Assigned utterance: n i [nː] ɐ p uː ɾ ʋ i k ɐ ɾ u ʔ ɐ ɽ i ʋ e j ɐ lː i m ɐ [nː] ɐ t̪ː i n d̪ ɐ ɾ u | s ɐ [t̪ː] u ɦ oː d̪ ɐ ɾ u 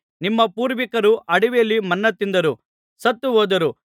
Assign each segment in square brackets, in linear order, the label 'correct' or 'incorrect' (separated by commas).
incorrect, correct, correct